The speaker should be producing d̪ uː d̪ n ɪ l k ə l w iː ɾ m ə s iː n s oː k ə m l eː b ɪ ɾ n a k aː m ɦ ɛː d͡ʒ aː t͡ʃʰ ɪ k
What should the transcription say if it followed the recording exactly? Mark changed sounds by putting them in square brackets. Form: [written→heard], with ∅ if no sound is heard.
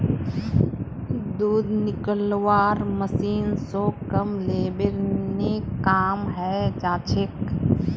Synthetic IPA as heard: d̪ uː d̪ n ɪ [l→∅] k ə l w [iː→aː] ɾ m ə s iː n s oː k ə m l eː b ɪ ɾ n [a→e] k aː m ɦ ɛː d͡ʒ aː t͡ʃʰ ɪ k